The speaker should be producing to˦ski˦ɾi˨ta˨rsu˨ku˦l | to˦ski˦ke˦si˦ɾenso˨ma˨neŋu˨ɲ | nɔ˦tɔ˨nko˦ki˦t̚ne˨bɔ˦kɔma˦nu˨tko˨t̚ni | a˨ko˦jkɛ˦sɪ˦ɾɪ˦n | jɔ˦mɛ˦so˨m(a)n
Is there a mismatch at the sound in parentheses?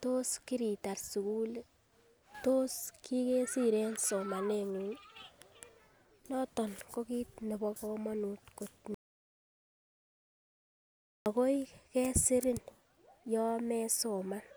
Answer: no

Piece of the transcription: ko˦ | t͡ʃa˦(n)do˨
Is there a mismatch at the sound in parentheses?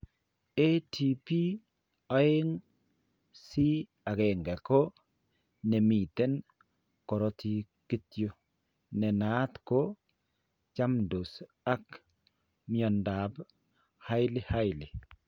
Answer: yes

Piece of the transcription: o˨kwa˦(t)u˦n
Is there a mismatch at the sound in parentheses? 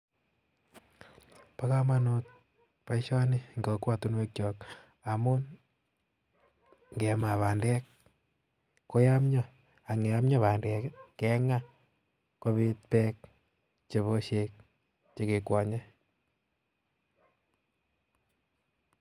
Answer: no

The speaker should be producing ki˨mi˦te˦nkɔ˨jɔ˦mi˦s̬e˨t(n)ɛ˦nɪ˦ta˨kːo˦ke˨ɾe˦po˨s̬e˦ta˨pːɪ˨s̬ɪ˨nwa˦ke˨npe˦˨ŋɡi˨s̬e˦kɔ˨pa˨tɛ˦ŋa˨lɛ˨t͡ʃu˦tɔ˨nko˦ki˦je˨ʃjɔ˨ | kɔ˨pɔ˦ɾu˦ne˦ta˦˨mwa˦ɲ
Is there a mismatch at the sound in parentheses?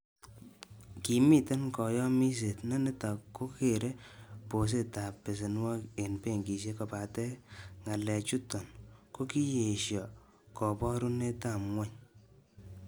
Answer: no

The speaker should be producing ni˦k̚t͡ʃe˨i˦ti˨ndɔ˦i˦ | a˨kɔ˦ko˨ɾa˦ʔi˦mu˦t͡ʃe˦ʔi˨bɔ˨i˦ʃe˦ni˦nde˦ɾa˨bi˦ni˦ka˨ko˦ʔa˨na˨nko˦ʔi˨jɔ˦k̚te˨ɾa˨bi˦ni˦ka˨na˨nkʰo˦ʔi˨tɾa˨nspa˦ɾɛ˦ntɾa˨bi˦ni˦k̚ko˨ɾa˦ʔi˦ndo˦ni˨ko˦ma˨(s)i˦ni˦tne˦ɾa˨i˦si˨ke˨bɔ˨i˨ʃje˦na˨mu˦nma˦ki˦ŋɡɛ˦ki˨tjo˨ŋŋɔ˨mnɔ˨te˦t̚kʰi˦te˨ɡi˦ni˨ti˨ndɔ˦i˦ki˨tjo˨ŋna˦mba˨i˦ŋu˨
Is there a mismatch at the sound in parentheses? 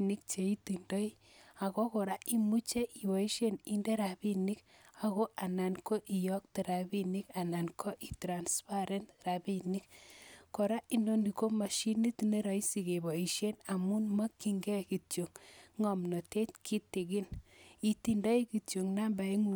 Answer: yes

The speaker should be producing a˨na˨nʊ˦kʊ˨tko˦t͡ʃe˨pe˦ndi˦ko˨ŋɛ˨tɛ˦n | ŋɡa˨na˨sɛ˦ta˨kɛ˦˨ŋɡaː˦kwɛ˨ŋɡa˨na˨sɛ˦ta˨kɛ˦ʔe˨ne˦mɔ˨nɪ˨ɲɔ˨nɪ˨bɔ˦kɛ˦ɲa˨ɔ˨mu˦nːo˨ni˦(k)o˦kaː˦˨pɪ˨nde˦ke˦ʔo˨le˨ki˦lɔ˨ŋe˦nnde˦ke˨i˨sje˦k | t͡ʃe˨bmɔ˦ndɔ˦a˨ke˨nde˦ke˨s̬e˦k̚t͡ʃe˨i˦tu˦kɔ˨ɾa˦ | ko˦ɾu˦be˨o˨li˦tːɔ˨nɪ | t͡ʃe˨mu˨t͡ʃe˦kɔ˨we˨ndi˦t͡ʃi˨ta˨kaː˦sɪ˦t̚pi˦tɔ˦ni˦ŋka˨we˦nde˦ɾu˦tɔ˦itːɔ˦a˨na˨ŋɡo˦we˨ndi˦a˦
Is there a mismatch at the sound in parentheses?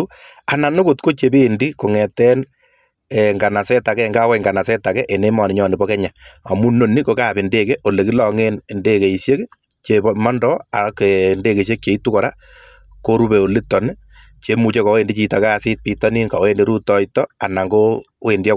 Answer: no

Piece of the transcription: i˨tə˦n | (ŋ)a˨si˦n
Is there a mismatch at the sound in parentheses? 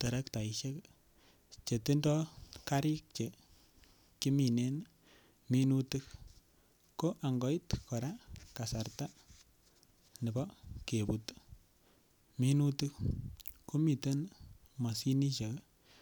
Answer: yes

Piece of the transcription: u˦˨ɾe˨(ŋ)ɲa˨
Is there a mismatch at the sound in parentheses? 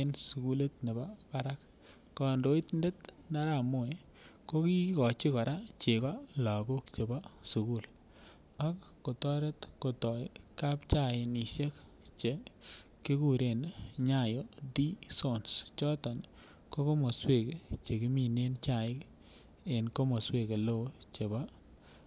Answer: yes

